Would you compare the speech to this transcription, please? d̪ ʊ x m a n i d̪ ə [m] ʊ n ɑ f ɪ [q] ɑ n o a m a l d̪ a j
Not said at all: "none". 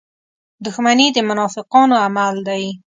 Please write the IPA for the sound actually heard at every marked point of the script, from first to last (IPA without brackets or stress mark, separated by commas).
m, q